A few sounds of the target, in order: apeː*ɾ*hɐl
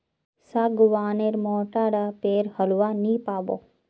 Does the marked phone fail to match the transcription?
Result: no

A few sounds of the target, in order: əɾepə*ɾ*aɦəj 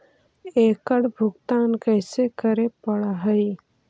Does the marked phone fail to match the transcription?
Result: yes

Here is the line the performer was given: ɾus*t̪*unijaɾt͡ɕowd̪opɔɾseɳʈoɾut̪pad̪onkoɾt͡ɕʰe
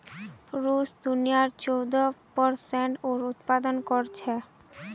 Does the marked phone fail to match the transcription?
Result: yes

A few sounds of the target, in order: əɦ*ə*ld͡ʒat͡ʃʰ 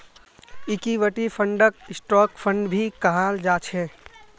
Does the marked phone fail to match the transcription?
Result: yes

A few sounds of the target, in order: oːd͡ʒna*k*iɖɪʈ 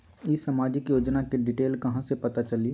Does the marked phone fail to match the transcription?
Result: no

